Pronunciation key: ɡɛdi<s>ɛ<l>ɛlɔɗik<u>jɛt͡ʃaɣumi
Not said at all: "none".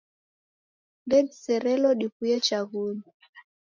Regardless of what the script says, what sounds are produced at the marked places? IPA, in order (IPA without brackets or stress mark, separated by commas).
s, ɾ, u